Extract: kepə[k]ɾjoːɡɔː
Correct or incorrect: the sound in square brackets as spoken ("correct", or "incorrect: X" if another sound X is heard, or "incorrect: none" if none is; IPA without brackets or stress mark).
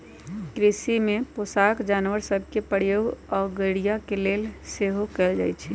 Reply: incorrect: none